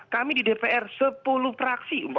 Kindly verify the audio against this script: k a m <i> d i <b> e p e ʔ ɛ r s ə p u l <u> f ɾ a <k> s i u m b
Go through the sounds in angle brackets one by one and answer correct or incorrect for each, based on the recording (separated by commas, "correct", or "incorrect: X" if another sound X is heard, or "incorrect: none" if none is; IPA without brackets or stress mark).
correct, incorrect: d, correct, correct